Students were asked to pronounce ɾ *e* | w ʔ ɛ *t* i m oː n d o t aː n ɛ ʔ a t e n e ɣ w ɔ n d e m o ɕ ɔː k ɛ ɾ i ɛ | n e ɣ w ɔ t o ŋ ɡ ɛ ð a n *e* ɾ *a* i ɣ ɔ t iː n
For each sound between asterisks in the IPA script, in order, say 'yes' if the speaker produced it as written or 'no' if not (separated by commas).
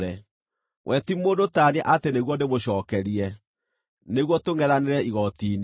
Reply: no, yes, yes, no